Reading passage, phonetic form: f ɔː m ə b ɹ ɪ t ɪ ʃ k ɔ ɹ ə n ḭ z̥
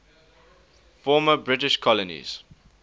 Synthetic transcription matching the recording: f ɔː m ə b ɹ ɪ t ɪ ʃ kʰ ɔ l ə n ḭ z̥